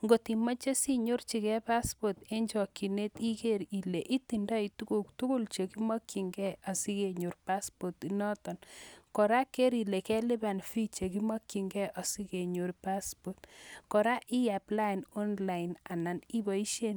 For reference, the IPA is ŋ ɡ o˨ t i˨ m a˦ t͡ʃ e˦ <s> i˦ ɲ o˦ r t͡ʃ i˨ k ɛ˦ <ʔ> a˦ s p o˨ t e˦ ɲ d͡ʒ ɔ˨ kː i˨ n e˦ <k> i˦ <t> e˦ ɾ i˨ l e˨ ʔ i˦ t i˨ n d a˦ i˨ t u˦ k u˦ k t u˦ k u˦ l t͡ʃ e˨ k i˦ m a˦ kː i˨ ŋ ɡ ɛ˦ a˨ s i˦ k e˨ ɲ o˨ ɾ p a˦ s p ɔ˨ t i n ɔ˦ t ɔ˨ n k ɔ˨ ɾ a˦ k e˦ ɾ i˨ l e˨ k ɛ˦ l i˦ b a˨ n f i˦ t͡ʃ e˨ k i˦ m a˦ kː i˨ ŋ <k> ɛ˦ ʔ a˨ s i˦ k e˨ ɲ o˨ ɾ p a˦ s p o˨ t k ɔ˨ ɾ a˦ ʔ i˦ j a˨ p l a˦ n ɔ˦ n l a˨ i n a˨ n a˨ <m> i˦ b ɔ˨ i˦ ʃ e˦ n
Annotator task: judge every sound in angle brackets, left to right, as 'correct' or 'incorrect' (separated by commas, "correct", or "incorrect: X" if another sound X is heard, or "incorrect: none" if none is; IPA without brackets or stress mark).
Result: correct, incorrect: p, incorrect: t, incorrect: k, incorrect: ɡ, incorrect: n